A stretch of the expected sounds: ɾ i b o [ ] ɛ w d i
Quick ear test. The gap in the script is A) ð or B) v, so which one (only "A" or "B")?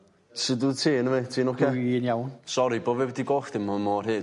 B